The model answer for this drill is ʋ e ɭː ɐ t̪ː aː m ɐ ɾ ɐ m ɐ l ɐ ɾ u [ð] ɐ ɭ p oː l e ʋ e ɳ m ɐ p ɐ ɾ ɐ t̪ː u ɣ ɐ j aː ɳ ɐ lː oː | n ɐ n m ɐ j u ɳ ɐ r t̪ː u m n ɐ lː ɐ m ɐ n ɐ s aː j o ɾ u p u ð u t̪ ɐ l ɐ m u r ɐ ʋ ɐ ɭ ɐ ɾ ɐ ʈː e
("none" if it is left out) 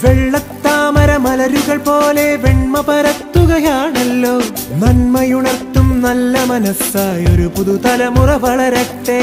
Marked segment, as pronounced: ɣ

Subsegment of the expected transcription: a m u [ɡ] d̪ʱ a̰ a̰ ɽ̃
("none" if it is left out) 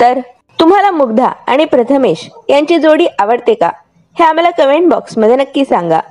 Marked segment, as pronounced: ɡ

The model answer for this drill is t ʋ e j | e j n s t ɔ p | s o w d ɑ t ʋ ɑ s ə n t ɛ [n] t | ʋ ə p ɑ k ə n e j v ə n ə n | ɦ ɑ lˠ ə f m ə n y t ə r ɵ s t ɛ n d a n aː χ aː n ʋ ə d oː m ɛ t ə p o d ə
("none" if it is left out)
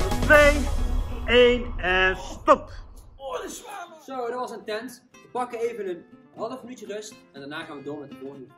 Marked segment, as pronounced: n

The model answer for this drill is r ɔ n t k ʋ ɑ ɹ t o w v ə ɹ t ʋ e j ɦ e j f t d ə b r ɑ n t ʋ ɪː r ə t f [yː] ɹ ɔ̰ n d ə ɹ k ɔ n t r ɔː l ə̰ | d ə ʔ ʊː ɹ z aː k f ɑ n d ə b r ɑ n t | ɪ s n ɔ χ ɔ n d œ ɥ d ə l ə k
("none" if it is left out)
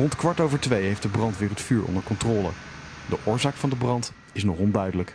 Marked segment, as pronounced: yː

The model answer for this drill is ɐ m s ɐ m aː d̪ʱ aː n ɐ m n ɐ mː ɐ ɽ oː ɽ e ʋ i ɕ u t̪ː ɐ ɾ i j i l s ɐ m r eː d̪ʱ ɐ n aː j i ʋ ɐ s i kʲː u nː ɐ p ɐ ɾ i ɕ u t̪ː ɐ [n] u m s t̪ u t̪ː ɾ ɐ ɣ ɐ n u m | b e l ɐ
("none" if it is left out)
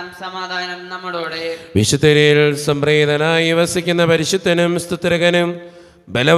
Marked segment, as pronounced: n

